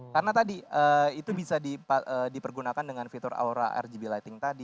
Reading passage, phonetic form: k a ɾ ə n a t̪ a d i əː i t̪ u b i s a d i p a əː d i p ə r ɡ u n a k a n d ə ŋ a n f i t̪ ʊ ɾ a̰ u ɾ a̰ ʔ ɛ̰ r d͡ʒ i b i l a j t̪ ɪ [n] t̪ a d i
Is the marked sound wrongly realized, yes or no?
yes